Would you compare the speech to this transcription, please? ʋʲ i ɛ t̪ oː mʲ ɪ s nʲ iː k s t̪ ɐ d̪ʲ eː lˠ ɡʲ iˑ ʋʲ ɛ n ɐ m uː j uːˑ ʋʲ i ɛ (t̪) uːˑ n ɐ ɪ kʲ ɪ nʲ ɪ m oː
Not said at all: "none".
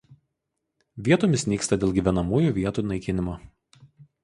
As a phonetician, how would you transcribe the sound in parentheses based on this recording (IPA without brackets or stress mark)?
t̪